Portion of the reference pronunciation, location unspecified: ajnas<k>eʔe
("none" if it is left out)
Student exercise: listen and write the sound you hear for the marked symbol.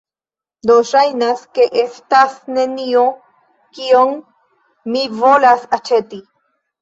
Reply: k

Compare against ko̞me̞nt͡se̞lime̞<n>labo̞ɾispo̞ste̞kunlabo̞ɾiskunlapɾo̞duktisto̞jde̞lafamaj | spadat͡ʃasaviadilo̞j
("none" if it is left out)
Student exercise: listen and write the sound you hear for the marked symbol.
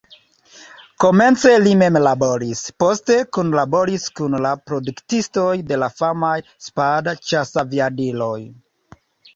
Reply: m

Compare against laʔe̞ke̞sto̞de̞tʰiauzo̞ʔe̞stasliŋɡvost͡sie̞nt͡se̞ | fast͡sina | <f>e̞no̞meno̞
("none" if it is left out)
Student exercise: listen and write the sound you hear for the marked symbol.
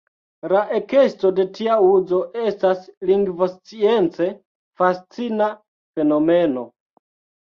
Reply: f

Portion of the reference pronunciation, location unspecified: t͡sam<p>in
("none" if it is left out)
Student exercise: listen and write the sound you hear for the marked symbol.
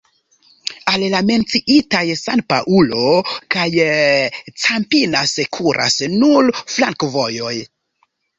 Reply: p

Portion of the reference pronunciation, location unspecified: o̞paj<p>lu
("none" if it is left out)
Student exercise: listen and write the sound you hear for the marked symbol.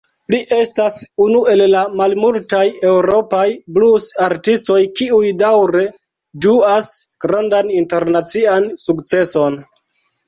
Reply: b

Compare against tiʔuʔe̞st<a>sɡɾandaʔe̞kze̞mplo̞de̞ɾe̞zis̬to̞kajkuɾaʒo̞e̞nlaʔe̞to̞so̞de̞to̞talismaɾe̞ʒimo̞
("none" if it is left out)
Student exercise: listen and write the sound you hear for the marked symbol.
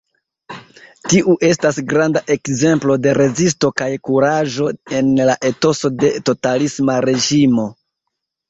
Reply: a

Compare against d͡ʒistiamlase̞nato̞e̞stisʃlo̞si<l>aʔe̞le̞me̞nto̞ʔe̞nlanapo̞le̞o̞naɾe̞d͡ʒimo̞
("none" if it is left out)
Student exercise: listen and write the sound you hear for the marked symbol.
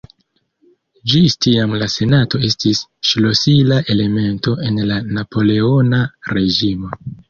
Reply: l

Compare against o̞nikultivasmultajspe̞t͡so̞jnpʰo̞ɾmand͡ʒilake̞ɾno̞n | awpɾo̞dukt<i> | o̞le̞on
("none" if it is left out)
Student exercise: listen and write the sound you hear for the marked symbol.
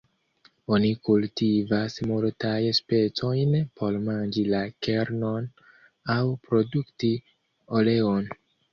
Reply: i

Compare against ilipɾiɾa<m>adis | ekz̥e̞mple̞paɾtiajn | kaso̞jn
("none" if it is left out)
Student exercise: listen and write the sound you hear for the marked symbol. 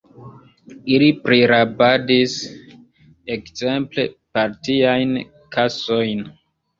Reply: b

